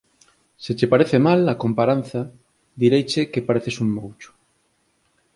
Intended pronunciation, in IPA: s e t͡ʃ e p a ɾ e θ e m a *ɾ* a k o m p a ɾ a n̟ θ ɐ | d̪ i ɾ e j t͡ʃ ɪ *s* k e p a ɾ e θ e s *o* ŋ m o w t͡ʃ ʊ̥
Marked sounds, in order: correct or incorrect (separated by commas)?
incorrect, incorrect, incorrect